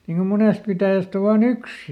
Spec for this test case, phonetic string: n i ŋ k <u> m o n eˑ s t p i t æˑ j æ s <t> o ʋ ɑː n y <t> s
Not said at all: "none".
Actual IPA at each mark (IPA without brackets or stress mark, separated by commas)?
o, t, k